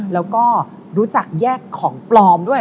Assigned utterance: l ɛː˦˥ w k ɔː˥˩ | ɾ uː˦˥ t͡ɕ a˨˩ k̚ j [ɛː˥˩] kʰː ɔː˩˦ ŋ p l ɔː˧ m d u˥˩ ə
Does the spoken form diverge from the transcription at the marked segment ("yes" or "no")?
no